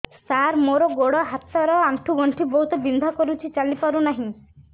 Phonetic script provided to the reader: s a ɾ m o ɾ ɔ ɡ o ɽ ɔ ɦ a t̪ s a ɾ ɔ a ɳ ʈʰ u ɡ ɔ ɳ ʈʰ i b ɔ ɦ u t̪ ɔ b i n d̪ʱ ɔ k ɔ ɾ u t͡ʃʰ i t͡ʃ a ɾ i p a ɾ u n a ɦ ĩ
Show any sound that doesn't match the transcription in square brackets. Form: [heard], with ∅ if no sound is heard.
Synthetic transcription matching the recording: s a ɾ m o ɾ ɔ ɡ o ɽ ɔ ɦ a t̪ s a ɾ ɔ a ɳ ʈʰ u ɡ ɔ ɳ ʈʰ i b ɔ ɦ u t̪ ɔ b i n d̪ʱ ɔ k ɔ ɾ u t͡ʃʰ i t͡ʃ a [l] i p a ɾ u n a ɦ ĩ